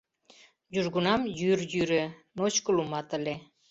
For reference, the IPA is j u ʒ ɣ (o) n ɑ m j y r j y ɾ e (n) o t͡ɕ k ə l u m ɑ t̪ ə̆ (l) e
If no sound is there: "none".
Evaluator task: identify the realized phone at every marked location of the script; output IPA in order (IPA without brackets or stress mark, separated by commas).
u, n, l